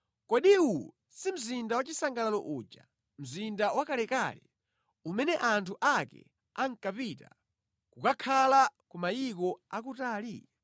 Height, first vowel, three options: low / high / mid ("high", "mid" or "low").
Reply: mid